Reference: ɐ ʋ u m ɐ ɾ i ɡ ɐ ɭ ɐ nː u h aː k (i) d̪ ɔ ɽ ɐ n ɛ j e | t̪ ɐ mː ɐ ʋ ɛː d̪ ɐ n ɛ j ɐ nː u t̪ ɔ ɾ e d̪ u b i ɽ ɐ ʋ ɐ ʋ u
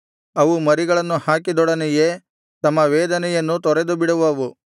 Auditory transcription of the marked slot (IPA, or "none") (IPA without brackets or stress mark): i